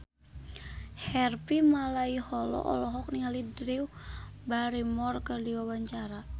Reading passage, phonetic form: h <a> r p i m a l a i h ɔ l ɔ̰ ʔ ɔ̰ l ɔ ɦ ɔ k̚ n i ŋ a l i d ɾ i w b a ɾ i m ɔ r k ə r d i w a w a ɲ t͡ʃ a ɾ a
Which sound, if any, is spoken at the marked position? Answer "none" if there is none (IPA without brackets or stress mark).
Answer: ɛ